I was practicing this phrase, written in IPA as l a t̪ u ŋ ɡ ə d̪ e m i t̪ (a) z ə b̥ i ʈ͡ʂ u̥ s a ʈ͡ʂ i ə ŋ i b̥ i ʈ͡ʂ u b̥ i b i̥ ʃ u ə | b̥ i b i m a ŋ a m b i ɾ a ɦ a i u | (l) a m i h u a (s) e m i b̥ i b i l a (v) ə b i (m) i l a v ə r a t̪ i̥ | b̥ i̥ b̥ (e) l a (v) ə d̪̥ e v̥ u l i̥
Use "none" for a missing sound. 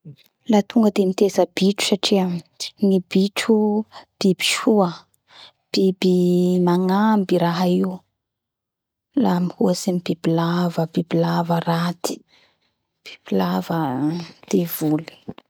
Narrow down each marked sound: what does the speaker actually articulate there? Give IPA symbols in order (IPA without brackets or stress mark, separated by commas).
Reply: e, l, s, v, b, i, v